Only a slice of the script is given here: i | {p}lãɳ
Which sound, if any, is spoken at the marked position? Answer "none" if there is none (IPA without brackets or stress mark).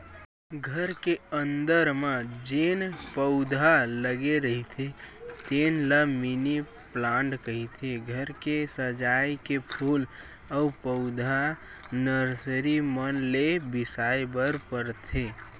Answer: p